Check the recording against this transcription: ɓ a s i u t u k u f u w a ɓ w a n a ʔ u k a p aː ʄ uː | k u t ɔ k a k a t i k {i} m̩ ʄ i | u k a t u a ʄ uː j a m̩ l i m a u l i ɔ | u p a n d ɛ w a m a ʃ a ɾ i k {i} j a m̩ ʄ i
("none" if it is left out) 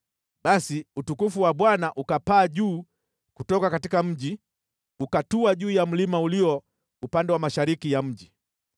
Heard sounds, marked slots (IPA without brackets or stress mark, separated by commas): a, i